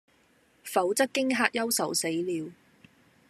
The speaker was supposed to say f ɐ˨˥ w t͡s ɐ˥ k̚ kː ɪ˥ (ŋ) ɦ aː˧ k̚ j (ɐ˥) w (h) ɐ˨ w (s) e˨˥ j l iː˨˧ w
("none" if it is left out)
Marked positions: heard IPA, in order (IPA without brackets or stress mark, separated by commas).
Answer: ŋ, ɐ˥, s, s